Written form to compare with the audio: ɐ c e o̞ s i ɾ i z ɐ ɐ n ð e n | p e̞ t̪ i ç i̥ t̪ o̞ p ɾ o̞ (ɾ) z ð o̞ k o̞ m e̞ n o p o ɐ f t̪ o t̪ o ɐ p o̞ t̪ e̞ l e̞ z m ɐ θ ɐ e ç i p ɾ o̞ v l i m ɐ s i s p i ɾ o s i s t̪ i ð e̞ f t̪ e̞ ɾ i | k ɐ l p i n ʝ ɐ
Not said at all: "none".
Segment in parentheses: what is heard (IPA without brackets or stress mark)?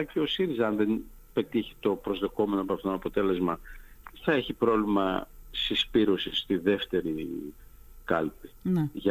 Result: none